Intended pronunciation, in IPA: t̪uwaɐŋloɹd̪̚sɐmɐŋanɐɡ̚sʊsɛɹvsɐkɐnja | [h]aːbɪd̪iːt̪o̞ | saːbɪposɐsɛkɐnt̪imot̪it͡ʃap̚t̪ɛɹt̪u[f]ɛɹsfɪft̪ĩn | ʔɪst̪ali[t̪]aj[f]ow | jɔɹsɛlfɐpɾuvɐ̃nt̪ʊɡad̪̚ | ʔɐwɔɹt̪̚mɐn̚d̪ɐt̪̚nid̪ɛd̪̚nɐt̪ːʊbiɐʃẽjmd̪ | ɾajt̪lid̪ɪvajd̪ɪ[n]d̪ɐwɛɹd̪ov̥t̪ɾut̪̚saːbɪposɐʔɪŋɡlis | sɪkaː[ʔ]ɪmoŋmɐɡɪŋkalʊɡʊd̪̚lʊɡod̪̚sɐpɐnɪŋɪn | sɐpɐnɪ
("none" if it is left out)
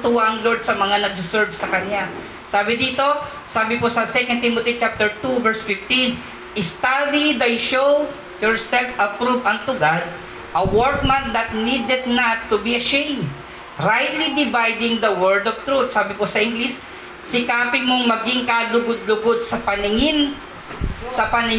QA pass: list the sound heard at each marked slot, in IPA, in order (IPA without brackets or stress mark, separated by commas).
s, v, d̪, ʃ, ŋ, p